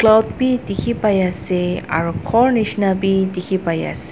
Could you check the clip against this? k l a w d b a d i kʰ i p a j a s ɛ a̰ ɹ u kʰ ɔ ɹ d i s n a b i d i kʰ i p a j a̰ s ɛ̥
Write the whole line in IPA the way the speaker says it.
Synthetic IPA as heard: k l a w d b i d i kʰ i p a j a s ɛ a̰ ɹ u kʰ ɔ ɹ n i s n a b i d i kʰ i p a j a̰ s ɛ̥